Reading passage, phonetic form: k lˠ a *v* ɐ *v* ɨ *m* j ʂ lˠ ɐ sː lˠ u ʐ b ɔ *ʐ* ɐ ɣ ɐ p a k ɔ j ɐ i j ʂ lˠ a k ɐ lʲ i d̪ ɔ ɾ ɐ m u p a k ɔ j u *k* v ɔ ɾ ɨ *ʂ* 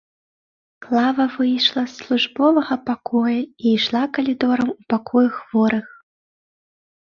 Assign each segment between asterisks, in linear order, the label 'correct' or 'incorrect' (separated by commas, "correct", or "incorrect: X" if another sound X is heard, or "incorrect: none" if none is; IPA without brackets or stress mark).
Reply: correct, correct, incorrect: none, incorrect: v, incorrect: x, incorrect: x